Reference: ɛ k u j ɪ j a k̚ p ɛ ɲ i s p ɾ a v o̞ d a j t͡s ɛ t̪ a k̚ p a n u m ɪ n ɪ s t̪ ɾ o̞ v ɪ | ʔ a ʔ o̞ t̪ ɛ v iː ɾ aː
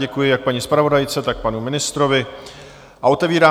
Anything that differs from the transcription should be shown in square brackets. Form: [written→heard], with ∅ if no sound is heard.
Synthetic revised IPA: ɛ k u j ɪ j a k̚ p [ɛ→a] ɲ i s p ɾ a v o̞ d a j t͡s ɛ t̪ a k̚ p a n u m ɪ n ɪ s t̪ ɾ o̞ v ɪ | ʔ a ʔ o̞ t̪ ɛ v iː ɾ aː